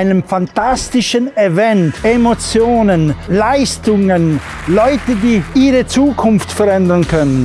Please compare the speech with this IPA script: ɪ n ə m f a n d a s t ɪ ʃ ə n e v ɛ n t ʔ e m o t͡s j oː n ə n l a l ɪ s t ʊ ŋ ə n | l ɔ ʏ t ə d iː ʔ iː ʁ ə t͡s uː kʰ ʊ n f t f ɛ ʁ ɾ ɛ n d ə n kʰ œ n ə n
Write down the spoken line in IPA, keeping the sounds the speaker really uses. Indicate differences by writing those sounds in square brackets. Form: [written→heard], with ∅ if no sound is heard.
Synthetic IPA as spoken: ɪ n ə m f a n [d→t] a s t ɪ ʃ ə n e v ɛ n t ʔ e m o t͡s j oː n ə n l a [l→∅] ɪ s t ʊ ŋ ə n | l ɔ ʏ t ə d iː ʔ iː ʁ ə t͡s uː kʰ ʊ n f t f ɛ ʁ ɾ ɛ n d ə n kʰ œ n ə n